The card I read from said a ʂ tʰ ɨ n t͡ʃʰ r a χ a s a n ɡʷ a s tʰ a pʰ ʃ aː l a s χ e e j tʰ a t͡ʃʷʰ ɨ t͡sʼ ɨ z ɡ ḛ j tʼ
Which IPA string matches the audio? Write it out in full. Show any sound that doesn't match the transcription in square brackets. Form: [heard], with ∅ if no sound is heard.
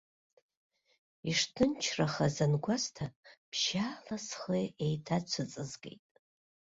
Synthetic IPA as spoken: [i] ʂ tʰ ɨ n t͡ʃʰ r a χ a [z] a n ɡʷ a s tʰ a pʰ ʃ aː l a s χ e e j tʰ a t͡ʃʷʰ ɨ t͡sʼ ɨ z ɡ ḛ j tʼ